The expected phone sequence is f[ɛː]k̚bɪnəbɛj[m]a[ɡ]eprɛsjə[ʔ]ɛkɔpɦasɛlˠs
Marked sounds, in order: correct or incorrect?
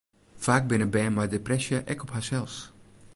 incorrect, correct, incorrect, correct

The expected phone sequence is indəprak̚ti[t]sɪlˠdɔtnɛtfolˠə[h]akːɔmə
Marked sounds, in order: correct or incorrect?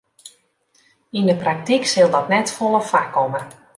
incorrect, incorrect

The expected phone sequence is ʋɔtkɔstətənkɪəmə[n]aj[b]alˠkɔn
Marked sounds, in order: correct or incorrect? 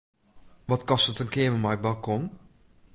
incorrect, correct

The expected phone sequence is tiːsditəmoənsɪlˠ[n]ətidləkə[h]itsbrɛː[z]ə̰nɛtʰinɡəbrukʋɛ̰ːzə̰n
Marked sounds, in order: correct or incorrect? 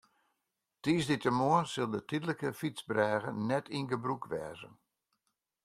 incorrect, incorrect, incorrect

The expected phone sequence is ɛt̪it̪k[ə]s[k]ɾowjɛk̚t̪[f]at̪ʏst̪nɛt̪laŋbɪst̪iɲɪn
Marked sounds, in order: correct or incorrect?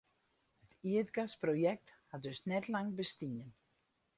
incorrect, incorrect, incorrect

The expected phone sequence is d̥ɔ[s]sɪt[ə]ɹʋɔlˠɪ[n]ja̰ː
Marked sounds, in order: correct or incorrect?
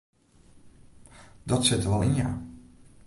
incorrect, correct, correct

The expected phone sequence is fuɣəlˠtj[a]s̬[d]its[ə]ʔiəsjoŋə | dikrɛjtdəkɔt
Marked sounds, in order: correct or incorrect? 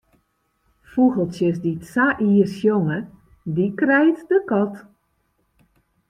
incorrect, correct, incorrect

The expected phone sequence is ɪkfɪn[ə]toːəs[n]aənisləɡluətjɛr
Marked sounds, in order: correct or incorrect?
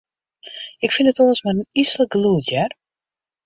correct, incorrect

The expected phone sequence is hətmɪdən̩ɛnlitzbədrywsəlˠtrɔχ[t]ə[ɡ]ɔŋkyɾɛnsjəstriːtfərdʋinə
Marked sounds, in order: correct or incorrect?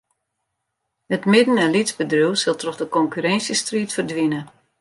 incorrect, incorrect

